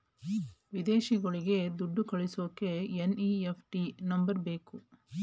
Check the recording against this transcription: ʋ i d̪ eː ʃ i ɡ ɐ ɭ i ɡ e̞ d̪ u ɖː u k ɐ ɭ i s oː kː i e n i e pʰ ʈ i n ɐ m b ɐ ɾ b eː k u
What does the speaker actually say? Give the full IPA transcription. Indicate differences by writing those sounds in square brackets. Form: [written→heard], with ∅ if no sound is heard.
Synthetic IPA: ʋ i d̪ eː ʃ i ɡ ɐ ɭ i ɡ e̞ d̪ u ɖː u k ɐ ɭ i s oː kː [i→e] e n i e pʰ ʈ i n ɐ m b ɐ ɾ b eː k u

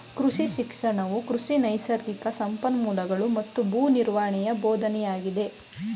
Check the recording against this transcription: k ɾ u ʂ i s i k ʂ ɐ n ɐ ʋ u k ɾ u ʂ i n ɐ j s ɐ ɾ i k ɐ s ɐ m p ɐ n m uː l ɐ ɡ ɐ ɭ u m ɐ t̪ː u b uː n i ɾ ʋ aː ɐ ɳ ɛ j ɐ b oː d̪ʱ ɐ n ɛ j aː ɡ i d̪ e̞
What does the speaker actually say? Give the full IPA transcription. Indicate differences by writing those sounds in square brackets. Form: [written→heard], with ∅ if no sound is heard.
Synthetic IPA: k ɾ u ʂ i [s→ʃ] i k ʂ ɐ [n→ɳ] ɐ ʋ u k ɾ u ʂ i n ɐ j s ɐ ɾ i k ɐ s ɐ m p ɐ n m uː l ɐ ɡ ɐ ɭ u m ɐ t̪ː u b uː n i ɾ ʋ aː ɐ ɳ ɛ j ɐ b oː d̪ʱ ɐ n ɛ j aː ɡ i d̪ e̞

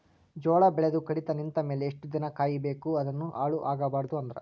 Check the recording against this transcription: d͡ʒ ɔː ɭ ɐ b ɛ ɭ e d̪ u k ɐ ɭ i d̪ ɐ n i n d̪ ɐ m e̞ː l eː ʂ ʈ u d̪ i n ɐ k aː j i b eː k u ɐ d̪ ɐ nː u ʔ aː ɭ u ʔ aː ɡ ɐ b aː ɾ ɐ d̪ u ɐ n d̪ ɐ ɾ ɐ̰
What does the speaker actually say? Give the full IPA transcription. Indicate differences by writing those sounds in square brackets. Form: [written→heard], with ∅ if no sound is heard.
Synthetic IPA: d͡ʒ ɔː ɭ ɐ b ɛ ɭ e d̪ u k ɐ [ɭ→ɽ] i [d̪→t̪] ɐ n i n [d̪→t̪] ɐ m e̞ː l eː ʂ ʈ u d̪ i n ɐ k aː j i b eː k u ɐ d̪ ɐ nː u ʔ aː ɭ u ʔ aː ɡ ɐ b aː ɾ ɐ d̪ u ɐ n d̪ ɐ ɾ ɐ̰

